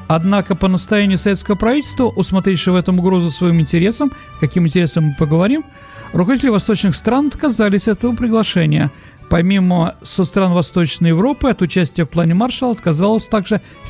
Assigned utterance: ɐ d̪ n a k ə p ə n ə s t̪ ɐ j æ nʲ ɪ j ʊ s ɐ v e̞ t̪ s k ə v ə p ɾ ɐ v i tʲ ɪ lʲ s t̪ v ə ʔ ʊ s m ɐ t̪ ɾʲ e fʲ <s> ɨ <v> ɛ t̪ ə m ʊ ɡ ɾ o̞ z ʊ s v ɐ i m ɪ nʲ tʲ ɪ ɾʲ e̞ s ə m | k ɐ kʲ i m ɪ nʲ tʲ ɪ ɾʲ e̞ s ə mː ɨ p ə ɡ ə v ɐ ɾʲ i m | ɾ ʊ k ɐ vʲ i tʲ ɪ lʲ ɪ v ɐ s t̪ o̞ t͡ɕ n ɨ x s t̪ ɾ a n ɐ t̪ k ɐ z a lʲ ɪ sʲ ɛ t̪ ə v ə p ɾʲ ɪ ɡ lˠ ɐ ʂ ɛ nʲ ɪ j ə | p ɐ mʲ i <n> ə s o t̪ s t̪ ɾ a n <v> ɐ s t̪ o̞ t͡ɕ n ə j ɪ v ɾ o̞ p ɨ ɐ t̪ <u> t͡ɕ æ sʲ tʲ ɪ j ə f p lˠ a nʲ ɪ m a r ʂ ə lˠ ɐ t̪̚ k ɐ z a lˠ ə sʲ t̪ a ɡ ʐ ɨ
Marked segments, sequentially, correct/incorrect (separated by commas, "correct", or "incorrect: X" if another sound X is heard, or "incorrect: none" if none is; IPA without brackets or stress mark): incorrect: ʂ, correct, incorrect: m, correct, incorrect: ʊ